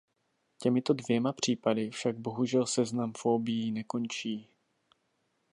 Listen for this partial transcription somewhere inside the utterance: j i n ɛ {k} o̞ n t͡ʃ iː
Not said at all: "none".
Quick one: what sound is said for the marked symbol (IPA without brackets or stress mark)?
k